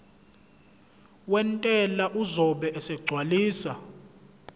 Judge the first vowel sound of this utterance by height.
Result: mid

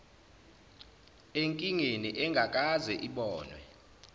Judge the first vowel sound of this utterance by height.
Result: mid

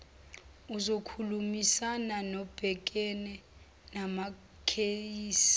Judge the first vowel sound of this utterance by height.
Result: high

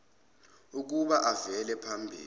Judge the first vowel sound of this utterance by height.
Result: high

